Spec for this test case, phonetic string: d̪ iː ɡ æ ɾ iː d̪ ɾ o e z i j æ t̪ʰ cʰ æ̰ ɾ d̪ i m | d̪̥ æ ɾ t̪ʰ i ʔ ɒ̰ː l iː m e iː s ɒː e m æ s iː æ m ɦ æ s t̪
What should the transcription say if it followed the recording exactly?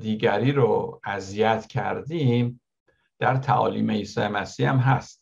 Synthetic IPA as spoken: d̪ iː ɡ æ ɾ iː ɾ o æ z i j æ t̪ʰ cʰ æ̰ ɾ d̪ i m | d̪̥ æ ɾ t̪ʰ æ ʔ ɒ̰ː l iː m e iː s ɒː e m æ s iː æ m ɦ æ s t̪